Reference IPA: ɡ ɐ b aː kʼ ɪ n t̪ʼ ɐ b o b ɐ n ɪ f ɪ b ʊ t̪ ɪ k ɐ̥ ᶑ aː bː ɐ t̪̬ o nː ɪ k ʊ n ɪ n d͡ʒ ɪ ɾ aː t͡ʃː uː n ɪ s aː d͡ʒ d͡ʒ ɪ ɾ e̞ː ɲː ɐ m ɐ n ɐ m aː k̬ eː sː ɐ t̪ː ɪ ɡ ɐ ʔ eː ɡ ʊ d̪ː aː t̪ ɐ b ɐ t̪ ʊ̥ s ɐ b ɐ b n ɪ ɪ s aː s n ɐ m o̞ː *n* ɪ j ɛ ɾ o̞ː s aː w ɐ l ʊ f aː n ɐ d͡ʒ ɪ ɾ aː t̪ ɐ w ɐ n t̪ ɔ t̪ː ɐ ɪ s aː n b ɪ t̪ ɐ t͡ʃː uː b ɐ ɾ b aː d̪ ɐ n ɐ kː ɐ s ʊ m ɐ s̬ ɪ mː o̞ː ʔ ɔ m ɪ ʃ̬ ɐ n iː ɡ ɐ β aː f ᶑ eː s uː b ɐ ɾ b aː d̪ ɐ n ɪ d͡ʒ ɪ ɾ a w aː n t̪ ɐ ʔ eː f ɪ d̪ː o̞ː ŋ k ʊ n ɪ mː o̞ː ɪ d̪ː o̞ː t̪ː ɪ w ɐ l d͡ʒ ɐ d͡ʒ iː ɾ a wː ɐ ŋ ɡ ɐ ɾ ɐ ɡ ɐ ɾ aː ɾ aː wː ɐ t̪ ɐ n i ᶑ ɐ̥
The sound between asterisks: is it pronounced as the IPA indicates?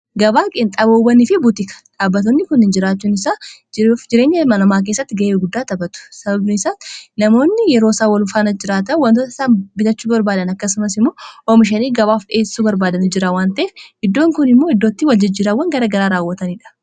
no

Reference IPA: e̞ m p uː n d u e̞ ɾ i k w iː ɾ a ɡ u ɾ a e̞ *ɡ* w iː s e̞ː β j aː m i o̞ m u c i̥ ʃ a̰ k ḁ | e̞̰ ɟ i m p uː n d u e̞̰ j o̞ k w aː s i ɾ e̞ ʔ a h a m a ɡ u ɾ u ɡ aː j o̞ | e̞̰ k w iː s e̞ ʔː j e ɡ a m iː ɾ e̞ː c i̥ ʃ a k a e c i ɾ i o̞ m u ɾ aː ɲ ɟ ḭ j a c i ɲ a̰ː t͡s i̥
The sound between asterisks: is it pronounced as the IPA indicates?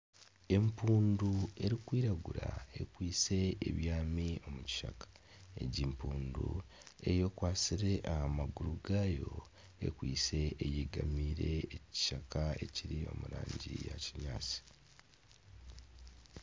no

